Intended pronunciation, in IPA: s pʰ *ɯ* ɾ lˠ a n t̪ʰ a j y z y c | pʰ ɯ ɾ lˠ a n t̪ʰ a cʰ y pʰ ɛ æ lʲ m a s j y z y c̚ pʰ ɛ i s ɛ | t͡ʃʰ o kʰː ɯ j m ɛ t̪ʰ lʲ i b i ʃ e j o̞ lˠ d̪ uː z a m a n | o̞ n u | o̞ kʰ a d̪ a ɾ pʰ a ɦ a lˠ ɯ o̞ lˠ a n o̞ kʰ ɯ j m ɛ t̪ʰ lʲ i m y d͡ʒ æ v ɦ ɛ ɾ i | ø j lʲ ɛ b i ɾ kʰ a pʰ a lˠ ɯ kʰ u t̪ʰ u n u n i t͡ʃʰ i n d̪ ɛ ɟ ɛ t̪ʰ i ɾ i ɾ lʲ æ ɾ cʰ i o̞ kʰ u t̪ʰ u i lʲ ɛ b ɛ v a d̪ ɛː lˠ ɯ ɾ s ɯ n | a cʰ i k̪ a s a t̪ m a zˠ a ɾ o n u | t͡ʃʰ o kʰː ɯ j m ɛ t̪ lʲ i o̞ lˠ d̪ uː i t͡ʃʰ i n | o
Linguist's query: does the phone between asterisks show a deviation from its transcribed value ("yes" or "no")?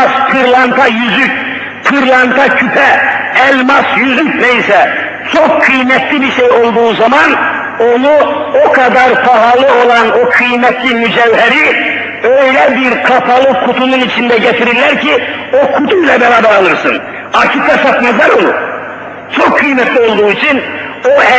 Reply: no